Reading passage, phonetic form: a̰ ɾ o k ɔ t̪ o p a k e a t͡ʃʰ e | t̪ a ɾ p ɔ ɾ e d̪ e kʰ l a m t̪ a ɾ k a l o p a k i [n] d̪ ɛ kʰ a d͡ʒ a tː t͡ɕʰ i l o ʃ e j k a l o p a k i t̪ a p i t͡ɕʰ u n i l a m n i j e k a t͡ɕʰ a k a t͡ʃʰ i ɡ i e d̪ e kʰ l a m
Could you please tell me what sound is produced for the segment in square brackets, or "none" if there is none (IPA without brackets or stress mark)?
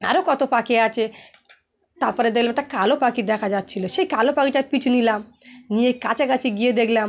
none